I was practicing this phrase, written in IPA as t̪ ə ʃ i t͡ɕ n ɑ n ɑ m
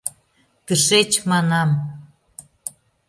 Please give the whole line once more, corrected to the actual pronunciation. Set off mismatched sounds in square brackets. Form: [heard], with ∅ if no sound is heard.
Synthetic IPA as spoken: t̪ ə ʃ [e] t͡ɕ [m] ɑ n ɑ m